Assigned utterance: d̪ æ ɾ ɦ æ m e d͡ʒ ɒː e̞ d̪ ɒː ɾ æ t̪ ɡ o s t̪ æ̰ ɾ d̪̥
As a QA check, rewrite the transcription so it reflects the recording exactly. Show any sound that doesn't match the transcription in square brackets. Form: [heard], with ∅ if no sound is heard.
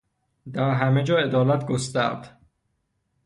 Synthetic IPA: d̪ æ ɾ ɦ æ m e d͡ʒ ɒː e̞ d̪ ɒː [l] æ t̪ ɡ o s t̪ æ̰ ɾ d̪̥

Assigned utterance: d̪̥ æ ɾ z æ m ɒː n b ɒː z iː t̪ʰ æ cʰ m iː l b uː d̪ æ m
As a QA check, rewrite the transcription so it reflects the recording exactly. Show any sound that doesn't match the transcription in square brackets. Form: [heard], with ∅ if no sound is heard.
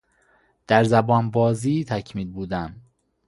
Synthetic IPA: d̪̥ æ ɾ z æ [b] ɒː n b ɒː z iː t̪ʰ æ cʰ m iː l b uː d̪ æ m

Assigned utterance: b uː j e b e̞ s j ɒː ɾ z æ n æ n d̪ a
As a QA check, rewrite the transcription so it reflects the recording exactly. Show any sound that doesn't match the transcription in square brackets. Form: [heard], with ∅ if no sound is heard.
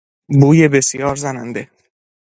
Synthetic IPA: b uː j e b e̞ s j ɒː ɾ z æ n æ n d̪ [e]

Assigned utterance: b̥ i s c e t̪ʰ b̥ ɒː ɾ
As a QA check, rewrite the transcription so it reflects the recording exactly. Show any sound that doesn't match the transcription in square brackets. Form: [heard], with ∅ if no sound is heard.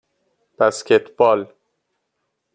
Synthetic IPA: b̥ [æ] s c e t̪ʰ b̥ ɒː [l]

